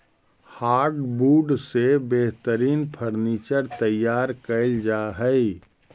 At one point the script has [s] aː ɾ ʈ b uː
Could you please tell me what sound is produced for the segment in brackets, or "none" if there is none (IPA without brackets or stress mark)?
h